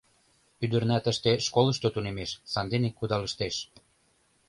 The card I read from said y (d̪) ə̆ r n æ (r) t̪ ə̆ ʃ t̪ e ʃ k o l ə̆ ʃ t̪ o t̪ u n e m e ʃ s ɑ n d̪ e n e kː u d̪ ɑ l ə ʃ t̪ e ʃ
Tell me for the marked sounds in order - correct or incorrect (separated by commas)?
correct, incorrect